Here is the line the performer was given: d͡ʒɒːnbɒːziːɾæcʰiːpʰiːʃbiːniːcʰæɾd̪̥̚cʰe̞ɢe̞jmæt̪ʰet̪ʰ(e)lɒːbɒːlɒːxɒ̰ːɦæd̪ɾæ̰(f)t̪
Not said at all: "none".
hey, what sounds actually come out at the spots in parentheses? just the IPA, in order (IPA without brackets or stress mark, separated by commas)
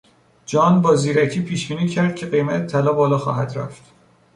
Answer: æ, f